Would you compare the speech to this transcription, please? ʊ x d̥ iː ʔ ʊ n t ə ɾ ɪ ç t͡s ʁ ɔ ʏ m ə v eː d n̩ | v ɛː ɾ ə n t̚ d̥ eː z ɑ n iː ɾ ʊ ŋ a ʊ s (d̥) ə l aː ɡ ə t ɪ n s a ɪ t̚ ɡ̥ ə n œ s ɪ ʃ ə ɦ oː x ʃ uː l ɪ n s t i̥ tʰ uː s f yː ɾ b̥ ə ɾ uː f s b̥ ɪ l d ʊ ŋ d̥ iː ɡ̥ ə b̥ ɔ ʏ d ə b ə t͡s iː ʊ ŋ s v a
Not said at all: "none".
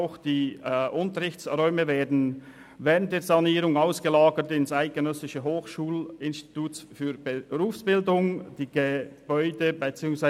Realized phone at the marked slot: ɡ̥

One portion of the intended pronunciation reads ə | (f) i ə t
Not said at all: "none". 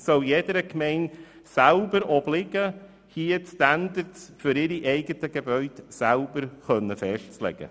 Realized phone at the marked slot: h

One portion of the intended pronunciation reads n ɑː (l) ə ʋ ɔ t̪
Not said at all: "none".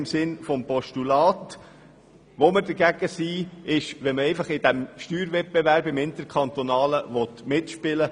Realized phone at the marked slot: l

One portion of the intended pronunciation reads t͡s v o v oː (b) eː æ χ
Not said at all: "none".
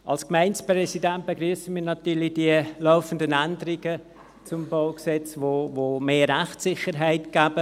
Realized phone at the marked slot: m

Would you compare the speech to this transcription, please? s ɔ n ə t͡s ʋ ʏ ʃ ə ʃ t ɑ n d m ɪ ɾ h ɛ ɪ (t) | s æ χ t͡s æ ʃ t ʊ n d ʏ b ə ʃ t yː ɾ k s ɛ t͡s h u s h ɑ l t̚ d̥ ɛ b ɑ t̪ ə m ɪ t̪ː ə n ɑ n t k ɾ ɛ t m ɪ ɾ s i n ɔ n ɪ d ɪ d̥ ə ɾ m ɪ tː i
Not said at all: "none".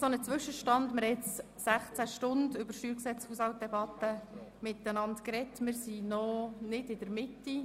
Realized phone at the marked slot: t͡s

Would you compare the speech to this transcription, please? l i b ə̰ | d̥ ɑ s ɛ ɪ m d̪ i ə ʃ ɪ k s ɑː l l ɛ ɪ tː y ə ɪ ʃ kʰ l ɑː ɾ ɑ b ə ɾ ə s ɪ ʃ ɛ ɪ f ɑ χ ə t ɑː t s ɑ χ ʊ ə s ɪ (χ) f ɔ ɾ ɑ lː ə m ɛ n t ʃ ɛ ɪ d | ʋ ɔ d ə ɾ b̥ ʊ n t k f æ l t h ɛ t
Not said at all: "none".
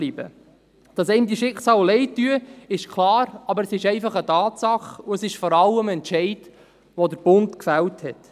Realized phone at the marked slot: ʃ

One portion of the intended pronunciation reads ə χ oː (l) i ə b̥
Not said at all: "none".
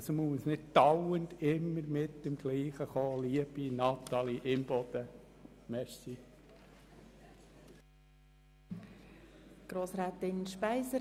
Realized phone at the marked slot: l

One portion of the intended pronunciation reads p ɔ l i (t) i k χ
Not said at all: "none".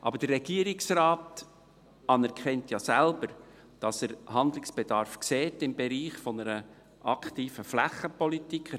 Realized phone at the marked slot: t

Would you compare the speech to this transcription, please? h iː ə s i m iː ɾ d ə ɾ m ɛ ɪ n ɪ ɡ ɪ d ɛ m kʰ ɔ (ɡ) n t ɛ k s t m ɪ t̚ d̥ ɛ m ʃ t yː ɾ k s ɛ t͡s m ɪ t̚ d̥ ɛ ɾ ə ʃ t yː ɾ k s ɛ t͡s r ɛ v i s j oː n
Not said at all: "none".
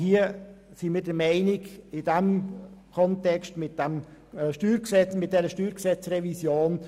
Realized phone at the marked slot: none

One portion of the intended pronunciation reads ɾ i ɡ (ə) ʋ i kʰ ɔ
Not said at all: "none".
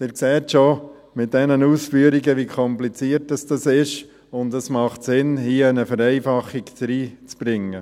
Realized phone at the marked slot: ə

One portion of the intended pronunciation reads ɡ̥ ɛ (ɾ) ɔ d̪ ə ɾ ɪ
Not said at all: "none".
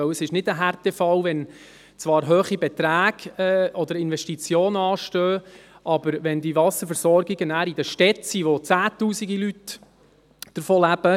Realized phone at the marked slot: none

